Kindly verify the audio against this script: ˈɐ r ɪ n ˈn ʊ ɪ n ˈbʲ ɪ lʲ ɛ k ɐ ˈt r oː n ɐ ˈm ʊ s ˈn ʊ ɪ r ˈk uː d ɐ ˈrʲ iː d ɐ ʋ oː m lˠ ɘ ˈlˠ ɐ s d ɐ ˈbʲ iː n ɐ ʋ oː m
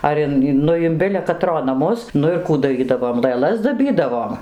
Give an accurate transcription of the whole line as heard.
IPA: ˈɐ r ɪ n ˈn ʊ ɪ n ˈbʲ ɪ lʲ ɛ k ɐ ˈt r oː n ɐ ˈm ʊ s ˈn ʊ ɪ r ˈk uː d ɐ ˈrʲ iː d ɐ ʋ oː m lˠ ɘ ˈlˠ ɐ s d ɐ ˈbʲ iː d ɐ ʋ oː m